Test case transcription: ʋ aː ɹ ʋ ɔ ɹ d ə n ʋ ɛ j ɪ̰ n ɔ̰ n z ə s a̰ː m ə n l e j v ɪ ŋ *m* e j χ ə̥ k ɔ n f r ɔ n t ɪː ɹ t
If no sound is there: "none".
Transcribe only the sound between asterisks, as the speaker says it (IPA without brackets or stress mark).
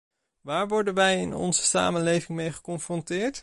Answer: m